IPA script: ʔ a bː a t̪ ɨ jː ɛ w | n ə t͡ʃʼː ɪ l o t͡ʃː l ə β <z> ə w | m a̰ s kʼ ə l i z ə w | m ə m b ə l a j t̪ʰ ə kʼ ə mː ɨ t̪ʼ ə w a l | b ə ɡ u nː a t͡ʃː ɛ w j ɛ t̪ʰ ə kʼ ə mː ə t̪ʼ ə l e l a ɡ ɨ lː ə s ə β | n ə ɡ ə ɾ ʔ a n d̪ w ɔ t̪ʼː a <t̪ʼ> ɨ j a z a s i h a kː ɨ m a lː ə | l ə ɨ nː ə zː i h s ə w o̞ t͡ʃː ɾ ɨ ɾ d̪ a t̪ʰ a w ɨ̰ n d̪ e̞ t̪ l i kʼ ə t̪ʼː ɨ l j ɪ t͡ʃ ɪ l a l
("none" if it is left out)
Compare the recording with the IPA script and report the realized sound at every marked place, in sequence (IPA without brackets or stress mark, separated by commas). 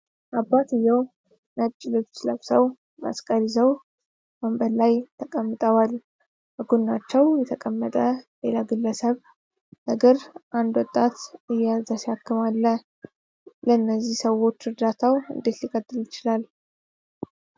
s, t̪